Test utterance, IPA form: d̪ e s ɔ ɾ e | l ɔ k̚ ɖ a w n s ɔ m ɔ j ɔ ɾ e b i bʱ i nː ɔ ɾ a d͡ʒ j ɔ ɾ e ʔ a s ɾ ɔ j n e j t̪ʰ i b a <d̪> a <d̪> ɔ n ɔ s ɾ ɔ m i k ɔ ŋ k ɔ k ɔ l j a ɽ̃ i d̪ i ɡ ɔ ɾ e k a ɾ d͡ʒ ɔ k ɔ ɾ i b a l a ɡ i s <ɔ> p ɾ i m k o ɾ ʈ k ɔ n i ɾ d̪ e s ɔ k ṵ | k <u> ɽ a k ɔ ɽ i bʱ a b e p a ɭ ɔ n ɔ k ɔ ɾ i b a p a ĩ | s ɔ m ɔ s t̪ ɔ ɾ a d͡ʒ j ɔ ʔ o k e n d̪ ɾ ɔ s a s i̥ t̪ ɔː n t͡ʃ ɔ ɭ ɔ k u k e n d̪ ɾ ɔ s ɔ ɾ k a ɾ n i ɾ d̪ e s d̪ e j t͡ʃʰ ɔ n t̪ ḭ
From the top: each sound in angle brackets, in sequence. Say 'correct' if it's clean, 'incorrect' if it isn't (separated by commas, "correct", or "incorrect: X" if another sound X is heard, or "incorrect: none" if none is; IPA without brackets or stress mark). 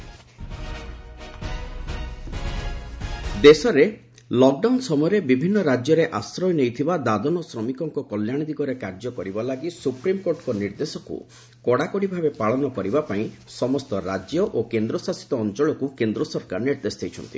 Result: correct, correct, incorrect: u, incorrect: ɔ